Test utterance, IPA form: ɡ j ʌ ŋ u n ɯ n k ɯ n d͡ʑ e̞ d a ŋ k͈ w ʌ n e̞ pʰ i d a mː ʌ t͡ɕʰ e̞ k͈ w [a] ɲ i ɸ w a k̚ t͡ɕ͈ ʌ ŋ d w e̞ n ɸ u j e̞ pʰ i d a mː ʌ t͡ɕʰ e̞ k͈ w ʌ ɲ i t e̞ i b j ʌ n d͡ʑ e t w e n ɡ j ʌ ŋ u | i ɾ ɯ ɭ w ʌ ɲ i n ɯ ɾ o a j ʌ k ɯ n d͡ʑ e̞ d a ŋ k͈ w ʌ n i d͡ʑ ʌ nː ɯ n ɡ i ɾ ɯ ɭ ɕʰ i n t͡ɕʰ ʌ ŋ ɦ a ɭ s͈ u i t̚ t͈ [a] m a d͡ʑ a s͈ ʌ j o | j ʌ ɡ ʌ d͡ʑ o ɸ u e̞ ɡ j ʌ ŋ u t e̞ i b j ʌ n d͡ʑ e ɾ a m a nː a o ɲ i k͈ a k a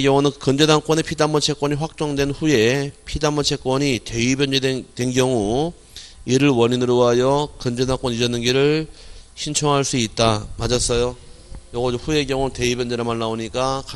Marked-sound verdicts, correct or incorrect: incorrect: ʌ, correct

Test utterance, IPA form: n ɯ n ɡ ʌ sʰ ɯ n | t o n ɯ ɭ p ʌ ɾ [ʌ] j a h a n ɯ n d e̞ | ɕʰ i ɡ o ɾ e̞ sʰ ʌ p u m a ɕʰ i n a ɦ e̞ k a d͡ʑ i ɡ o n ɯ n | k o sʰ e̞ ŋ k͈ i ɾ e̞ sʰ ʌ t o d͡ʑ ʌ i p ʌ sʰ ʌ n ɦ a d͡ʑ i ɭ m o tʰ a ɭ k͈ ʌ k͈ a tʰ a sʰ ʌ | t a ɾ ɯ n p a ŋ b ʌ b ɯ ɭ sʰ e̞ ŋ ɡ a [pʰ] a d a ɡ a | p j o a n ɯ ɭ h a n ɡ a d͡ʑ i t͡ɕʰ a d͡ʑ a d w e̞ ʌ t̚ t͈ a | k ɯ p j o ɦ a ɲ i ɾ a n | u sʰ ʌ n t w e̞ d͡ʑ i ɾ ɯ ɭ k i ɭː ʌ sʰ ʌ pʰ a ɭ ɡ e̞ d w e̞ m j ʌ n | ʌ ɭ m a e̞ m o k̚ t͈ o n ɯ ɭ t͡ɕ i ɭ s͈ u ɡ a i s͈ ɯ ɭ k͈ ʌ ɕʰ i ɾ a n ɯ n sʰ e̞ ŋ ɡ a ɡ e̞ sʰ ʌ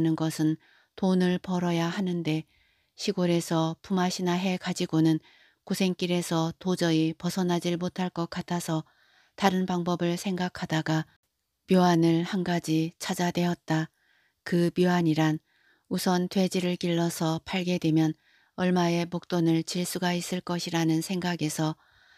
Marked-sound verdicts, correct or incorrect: correct, incorrect: kʰ

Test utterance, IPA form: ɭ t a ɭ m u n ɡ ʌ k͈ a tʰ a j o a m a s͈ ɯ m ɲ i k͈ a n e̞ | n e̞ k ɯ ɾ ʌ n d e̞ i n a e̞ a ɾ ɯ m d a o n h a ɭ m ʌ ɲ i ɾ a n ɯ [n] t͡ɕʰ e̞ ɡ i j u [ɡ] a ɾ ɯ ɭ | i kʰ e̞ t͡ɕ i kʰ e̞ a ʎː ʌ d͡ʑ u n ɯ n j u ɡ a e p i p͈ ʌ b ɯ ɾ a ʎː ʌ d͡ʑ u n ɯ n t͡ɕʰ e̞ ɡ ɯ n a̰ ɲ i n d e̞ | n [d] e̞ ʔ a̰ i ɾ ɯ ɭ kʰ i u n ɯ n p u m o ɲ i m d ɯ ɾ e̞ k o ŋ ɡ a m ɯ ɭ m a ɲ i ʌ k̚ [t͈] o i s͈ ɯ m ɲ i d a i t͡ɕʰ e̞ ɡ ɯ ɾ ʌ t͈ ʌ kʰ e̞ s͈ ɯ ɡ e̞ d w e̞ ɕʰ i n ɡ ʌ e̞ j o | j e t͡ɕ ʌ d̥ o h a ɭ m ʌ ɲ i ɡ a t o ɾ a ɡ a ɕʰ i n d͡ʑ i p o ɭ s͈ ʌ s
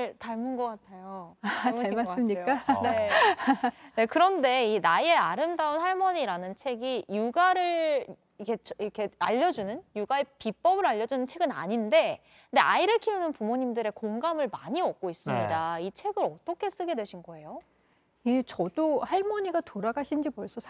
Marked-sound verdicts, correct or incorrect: correct, correct, correct, incorrect: k͈

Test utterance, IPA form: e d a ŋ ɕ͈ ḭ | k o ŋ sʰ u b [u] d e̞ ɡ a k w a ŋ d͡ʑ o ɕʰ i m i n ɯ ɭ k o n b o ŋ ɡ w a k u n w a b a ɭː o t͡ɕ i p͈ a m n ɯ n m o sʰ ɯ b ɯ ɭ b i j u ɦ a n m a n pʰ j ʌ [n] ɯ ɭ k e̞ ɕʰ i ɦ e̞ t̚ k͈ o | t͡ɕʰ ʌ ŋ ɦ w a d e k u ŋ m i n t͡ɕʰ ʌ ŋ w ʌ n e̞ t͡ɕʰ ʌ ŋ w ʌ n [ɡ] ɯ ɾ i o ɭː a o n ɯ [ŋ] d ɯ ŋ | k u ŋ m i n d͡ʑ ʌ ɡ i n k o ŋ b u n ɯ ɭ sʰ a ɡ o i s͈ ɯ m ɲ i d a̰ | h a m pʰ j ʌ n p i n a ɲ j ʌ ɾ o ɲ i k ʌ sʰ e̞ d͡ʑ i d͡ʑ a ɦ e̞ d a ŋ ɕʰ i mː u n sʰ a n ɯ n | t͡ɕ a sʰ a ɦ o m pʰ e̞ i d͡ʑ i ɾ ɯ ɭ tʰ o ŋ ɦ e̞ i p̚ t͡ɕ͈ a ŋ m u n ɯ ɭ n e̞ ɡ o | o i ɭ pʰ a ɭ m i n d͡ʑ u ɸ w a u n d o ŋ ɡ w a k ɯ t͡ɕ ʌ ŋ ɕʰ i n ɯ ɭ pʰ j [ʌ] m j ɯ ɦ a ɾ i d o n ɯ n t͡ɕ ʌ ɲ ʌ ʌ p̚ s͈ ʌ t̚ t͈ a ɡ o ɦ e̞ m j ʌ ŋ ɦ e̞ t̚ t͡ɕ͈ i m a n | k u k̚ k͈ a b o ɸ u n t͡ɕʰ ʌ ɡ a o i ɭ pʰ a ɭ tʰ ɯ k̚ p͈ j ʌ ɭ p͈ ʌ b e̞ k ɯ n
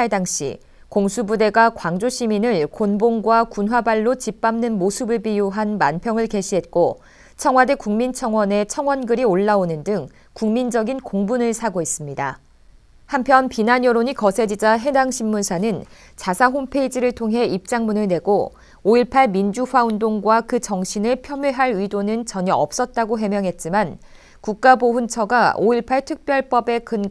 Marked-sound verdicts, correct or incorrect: correct, incorrect: ŋ, correct, incorrect: n, correct

